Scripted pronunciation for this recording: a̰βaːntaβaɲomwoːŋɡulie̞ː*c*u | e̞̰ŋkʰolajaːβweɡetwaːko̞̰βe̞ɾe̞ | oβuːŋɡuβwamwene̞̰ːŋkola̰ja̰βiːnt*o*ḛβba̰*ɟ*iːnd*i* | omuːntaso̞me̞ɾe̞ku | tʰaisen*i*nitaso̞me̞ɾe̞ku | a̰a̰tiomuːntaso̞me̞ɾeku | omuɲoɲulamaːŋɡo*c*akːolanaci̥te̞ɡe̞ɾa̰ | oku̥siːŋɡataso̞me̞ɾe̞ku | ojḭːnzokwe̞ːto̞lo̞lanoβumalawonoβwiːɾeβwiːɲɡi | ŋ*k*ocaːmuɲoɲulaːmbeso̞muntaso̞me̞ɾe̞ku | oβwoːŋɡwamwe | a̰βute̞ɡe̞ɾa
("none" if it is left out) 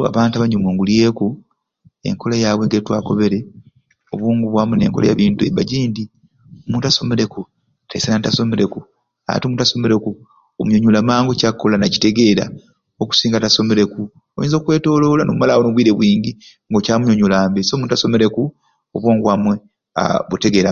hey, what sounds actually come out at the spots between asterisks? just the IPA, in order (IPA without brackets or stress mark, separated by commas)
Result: k, u, ɟ, i, a, c, ɡ